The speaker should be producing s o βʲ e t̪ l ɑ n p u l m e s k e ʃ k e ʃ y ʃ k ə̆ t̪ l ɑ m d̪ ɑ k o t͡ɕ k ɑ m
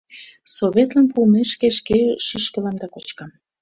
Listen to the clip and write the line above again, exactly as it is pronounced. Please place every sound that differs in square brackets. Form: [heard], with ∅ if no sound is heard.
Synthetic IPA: s o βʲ e t̪ l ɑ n p u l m e [ʃ] k e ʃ k e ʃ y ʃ k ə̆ [∅] l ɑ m d̪ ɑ k o t͡ɕ k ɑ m

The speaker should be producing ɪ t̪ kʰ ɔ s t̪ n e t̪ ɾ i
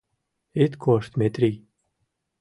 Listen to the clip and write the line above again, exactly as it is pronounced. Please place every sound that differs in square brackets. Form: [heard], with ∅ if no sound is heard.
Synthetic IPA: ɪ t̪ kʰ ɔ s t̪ [m] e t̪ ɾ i

